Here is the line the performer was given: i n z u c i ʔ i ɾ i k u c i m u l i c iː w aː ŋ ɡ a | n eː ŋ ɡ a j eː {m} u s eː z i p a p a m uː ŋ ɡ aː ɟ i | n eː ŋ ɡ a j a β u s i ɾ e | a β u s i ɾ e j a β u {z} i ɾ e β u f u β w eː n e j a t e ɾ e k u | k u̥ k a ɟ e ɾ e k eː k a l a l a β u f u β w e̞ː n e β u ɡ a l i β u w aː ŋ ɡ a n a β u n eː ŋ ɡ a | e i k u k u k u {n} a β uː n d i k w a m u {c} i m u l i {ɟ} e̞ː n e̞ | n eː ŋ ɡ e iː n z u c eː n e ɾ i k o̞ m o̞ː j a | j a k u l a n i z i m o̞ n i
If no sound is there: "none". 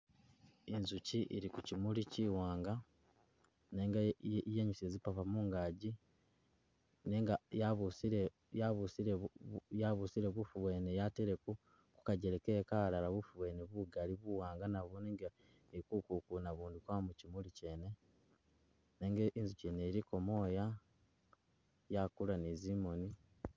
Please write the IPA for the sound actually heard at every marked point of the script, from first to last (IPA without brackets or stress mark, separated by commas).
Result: ɲ, s, n, c, c